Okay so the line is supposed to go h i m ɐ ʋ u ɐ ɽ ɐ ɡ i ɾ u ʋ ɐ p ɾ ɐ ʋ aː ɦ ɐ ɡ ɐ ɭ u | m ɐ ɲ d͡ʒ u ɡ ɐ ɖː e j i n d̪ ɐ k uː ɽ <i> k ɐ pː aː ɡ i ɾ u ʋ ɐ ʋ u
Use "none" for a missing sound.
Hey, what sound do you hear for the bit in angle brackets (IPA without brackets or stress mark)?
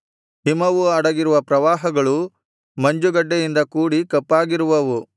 i